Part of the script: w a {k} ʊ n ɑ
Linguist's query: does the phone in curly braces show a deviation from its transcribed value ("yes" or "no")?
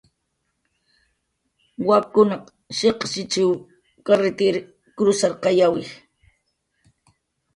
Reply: no